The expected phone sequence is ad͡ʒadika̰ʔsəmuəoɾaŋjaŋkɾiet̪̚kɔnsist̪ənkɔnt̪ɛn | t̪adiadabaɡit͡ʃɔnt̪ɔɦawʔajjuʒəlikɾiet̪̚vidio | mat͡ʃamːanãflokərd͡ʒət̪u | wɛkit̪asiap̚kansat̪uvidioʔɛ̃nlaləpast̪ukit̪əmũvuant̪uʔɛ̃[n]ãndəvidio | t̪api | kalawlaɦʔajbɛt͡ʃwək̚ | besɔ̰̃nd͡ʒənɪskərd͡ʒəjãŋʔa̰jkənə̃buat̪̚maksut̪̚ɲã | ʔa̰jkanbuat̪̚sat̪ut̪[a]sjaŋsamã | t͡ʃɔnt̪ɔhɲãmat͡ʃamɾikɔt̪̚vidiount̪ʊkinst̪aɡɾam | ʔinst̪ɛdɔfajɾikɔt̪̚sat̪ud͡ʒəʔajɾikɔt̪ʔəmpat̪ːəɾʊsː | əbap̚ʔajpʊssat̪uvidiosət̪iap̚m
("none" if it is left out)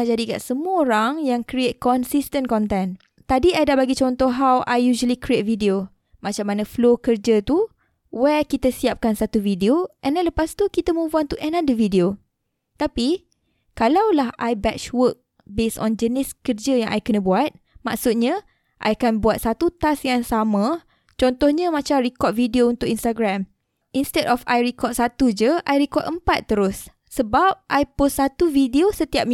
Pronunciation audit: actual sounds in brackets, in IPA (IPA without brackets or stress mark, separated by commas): n, a